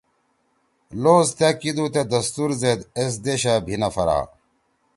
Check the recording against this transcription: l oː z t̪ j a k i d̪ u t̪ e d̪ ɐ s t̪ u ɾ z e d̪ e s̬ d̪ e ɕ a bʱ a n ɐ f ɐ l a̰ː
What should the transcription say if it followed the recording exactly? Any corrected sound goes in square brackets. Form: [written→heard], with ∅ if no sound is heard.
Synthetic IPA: l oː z t̪ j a k i d̪ u t̪ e d̪ ɐ s t̪ u ɾ z e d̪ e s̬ d̪ e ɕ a bʱ [a→i] n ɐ f ɐ [l→ɾ] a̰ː